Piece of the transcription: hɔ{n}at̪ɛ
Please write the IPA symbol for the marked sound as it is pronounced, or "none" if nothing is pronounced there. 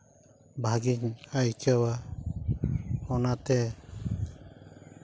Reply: n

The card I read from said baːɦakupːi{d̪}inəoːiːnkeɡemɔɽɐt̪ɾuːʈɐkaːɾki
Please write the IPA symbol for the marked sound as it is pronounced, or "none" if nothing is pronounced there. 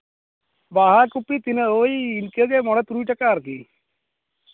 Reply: t̪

